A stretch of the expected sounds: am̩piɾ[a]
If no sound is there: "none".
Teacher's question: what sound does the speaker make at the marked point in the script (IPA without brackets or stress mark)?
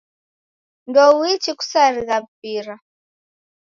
a